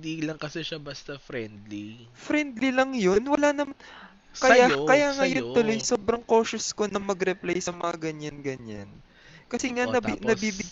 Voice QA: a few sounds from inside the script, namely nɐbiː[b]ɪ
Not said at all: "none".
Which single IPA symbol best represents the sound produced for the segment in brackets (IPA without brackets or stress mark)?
b